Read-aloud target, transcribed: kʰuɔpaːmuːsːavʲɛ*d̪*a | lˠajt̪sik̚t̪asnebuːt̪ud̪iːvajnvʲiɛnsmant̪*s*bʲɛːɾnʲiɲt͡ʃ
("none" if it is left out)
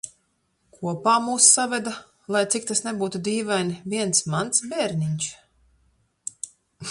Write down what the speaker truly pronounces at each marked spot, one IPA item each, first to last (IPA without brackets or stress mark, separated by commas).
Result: d̪, s